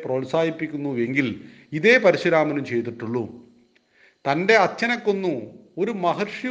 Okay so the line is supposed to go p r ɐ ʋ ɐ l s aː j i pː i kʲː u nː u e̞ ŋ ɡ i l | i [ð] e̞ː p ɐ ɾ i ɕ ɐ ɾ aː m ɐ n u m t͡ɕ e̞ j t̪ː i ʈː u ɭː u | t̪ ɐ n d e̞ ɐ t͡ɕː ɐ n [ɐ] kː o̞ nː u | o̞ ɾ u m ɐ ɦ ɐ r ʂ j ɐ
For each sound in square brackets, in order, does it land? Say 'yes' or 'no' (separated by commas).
yes, yes